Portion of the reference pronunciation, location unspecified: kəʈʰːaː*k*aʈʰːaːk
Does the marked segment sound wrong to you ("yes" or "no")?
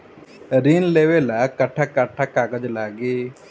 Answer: no